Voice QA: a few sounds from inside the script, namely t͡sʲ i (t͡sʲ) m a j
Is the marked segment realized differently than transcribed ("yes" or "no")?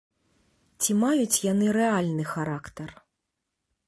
yes